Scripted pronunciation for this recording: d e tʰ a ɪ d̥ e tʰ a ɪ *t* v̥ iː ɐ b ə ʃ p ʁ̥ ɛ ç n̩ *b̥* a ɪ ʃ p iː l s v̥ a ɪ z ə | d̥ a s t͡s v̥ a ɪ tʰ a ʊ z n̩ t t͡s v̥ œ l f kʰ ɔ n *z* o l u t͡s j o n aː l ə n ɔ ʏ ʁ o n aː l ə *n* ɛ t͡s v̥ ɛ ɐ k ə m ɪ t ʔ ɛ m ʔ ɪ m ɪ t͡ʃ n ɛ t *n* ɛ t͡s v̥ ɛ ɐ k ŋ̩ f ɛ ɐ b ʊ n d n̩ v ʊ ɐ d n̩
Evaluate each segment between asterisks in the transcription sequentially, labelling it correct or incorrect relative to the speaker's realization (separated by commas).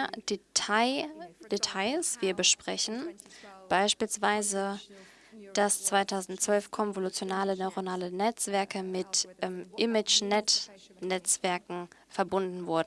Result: incorrect, correct, incorrect, correct, correct